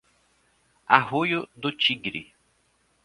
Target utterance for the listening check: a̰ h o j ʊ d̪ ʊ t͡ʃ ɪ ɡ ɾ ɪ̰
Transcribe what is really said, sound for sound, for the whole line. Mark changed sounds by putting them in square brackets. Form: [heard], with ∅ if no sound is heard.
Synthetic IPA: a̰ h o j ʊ d̪ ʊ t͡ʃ [i] ɡ ɾ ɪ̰

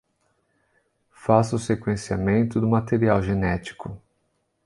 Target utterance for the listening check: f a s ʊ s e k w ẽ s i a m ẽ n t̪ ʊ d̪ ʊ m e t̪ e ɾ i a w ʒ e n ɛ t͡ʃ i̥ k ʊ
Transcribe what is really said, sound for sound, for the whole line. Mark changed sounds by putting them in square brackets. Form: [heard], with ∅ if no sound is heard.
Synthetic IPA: f a s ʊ s e k w ẽ s i a m ẽ n t̪ ʊ d̪ ʊ m [a] t̪ e ɾ i a w ʒ e n ɛ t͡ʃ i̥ k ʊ

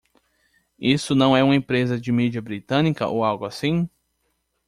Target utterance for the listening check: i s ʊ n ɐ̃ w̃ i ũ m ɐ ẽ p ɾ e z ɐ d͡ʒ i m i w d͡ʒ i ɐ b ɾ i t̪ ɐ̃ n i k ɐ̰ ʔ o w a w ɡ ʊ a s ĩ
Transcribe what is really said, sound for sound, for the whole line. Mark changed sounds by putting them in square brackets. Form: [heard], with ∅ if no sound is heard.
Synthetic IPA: i s ʊ n ɐ̃ w̃ [ɛ] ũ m ɐ ẽ p ɾ e z ɐ d͡ʒ [ɪ] m i [∅] d͡ʒ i ɐ b ɾ i t̪ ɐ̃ n i k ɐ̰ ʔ o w a w ɡ ʊ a s ĩ

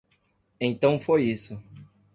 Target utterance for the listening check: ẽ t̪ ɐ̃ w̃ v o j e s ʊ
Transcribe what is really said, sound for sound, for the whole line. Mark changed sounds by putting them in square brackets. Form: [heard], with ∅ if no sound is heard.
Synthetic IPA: ẽ t̪ ɐ̃ w̃ [f] o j [i] s ʊ

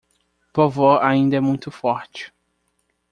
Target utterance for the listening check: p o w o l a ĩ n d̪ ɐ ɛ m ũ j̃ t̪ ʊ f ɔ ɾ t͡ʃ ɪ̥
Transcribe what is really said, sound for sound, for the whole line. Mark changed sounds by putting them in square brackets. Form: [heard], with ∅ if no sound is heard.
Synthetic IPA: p o [v] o [ɾ] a ĩ n d̪ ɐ ɛ m ũ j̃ t̪ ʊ f ɔ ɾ t͡ʃ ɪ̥

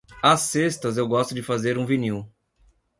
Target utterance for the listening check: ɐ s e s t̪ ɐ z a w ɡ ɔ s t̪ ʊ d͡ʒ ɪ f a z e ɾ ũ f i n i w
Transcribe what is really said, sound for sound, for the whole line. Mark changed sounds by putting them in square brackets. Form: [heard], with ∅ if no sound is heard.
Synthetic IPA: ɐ s e s t̪ ɐ z [e] w ɡ ɔ s t̪ ʊ d͡ʒ ɪ f a z e ɾ ũ [v] i n i w

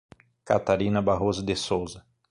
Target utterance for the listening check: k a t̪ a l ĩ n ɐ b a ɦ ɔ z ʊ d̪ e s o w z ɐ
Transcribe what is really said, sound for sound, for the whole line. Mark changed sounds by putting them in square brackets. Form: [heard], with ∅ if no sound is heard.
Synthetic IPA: k a t̪ a [ɾ] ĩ n ɐ b a ɦ [o] z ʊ d̪ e s o w z ɐ

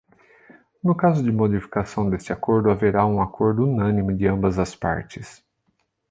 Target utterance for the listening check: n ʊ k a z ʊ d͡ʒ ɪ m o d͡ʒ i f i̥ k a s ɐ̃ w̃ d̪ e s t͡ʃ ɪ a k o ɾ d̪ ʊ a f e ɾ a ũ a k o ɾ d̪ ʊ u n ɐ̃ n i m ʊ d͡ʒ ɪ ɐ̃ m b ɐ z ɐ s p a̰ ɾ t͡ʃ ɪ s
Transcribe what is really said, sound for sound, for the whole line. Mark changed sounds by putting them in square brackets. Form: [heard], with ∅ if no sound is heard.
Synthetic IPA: n ʊ k a z ʊ d͡ʒ ɪ m o d͡ʒ i f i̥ k a s ɐ̃ w̃ d̪ e s t͡ʃ ɪ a k o ɾ d̪ ʊ a [v] e ɾ a ũ a k o ɾ d̪ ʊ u n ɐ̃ n i m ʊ d͡ʒ ɪ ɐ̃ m b ɐ z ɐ s p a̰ ɾ t͡ʃ ɪ s

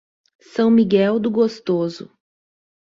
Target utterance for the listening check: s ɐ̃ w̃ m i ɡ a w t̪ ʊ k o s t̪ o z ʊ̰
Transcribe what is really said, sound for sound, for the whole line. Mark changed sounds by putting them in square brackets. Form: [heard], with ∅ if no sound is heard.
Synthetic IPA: s ɐ̃ w̃ m i ɡ [ɛ] w [d̪] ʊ [ɡ] o s t̪ o z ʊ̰

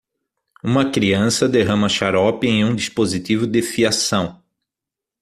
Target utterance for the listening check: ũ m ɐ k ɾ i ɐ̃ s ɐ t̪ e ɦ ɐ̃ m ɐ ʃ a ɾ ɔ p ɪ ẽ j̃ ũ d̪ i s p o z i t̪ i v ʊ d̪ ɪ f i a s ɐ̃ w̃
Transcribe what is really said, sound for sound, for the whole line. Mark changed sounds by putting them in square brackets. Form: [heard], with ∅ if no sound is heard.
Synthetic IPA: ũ m ɐ k ɾ i ɐ̃ s ɐ [d̪] e ɦ ɐ̃ m ɐ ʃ a ɾ ɔ p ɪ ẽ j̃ ũ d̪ i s p o z i t̪ i v ʊ d̪ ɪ f i a s ɐ̃ w̃

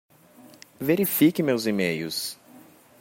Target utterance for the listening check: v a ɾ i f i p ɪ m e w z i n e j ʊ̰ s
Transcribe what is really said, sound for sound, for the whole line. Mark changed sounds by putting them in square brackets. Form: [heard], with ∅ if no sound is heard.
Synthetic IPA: v [e] ɾ i f i [k] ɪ m e w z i [m] e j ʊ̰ s

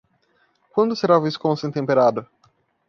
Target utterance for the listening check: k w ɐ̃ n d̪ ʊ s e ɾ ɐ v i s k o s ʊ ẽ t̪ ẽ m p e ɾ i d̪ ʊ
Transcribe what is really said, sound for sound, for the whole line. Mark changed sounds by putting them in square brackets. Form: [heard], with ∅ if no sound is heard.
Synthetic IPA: k w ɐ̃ n d̪ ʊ s e ɾ [a] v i s k [õ] s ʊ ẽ t̪ ẽ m p e ɾ [a] d̪ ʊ

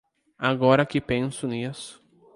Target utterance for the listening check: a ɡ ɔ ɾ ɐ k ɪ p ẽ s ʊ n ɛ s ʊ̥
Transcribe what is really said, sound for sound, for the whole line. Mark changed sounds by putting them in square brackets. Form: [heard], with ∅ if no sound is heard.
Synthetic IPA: a ɡ ɔ ɾ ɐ k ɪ p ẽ s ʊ n [i] s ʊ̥

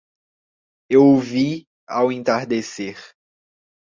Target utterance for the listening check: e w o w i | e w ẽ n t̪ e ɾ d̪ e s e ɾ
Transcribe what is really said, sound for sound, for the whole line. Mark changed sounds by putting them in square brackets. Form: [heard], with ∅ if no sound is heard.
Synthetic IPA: e w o [v] i | [a] w ẽ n t̪ [a] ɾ d̪ e s e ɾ

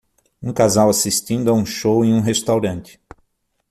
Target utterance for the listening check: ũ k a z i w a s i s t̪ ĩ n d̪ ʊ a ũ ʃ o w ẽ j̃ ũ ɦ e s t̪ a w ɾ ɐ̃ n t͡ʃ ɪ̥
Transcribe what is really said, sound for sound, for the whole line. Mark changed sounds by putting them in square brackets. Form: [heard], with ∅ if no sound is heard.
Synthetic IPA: ũ k a z [a] w a s i s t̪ ĩ n d̪ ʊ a ũ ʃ o w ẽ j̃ ũ ɦ e s t̪ a w ɾ ɐ̃ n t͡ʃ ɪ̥

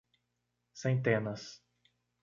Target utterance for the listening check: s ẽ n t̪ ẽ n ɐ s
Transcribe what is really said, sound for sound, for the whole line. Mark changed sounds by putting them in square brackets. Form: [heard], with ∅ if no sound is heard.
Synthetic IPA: s ẽ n t̪ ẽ n ɐ s

